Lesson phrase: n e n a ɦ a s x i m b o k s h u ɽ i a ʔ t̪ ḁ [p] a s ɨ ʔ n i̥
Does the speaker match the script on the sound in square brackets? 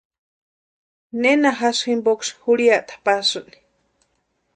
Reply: yes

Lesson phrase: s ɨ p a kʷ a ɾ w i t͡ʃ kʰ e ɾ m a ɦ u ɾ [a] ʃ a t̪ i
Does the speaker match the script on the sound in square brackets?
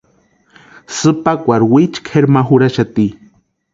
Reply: yes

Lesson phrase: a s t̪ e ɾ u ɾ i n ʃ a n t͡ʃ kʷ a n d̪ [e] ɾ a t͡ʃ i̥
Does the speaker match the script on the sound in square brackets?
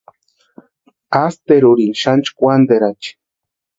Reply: yes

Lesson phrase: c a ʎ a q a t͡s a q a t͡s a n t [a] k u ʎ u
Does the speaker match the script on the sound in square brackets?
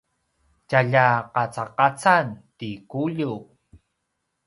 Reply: no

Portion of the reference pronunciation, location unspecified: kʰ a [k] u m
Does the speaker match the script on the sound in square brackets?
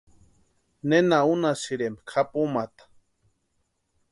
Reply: no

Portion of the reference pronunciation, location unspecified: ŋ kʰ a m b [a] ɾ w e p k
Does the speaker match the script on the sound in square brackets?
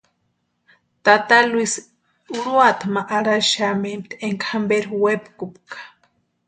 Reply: no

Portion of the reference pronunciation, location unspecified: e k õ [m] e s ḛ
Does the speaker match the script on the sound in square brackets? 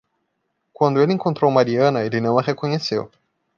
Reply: no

